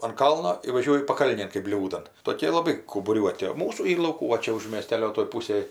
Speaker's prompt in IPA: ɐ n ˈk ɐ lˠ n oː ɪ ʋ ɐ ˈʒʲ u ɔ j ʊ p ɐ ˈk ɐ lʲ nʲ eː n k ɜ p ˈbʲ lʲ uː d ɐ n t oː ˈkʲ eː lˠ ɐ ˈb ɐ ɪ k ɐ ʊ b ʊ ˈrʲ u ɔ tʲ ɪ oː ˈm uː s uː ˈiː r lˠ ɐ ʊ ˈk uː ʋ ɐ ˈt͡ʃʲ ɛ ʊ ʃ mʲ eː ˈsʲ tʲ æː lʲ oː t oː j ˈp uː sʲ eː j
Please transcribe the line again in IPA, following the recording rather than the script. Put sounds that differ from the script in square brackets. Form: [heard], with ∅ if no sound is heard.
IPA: ɐ n ˈk ɐ lˠ n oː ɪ ʋ ɐ ˈʒʲ u ɔ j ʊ p ɐ ˈk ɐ lʲ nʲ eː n k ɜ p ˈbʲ lʲ uː d ɐ n t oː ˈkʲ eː lˠ ɐ ˈb ɐ ɪ k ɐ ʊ b ʊ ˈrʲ u ɔ tʲ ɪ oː ˈm uː s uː ˈiː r lˠ ɐ ʊ ˈk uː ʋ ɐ ˈt͡ʃʲ ɛ ʊ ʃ mʲ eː ˈsʲ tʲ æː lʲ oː t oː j ˈp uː sʲ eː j